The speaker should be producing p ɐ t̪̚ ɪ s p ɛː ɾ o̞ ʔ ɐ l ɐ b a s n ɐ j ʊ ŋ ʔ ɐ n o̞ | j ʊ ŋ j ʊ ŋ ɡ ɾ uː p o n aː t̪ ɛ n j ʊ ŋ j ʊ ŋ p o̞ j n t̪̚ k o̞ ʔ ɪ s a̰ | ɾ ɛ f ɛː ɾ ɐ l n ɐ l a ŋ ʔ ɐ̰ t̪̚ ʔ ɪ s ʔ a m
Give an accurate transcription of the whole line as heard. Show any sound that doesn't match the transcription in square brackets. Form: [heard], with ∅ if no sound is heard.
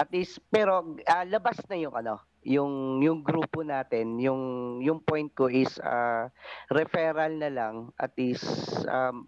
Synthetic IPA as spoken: [ʔ] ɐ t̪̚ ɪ s p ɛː ɾ o̞ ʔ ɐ l ɐ b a s n ɐ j ʊ ŋ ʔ ɐ n o̞ | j ʊ ŋ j ʊ ŋ ɡ ɾ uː p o n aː t̪ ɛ n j ʊ ŋ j ʊ ŋ p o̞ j n t̪̚ k o̞ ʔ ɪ s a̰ | ɾ ɛ f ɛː ɾ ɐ l n ɐ l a ŋ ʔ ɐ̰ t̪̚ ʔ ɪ s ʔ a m